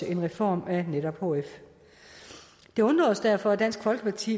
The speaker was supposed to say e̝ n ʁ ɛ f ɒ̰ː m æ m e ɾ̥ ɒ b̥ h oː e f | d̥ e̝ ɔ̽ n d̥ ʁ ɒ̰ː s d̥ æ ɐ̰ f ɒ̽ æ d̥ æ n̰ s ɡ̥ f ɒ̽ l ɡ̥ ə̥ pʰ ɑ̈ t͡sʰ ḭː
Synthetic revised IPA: e̝ n ʁ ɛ f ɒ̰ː m æ n e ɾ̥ ɒ b̥ h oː e f | d̥ e̝ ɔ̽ n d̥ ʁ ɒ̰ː s d̥ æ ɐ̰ f ɒ̽ æ d̥ æ n̰ s ɡ̥ f ɒ̽ l ɡ̥ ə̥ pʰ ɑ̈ t͡sʰ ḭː